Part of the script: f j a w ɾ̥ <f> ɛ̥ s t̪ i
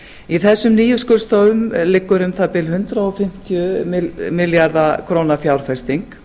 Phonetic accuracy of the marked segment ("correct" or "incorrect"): correct